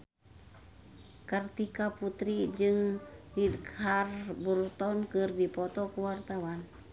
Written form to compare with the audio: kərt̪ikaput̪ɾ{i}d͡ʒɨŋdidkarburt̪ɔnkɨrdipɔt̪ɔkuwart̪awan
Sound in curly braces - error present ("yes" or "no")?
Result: no